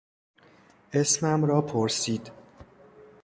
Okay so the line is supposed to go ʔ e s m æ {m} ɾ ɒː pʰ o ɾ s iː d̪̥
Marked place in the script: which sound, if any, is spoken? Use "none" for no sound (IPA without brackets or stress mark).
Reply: m